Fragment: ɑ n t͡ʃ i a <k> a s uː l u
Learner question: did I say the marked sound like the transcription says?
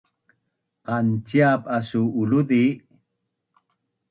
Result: no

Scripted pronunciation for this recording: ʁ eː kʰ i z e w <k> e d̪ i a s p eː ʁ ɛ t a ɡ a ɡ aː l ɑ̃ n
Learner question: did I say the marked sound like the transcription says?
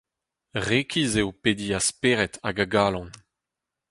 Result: no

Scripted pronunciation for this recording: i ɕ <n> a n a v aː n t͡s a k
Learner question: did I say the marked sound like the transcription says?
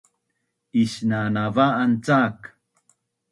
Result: yes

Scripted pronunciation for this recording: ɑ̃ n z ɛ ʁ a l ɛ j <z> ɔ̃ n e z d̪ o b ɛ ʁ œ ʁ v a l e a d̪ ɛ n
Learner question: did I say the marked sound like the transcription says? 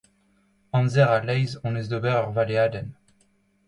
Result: yes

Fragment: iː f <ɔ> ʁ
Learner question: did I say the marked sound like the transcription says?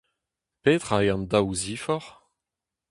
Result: yes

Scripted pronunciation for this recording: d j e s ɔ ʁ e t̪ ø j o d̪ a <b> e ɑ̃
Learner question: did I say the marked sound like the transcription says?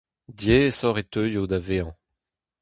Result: no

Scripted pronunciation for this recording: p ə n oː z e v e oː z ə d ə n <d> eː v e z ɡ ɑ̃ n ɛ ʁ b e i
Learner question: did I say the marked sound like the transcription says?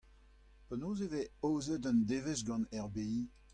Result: yes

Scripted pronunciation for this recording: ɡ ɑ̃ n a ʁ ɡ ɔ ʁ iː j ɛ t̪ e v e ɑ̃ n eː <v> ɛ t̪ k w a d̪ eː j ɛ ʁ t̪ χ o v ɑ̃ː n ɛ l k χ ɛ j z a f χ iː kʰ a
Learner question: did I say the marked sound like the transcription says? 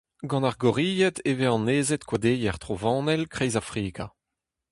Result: no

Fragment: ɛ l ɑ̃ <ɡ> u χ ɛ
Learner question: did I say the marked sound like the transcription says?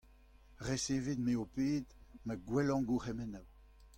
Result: yes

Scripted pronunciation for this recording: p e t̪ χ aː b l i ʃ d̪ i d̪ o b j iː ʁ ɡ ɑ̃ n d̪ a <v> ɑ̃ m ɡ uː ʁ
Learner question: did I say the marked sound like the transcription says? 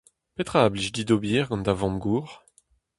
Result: yes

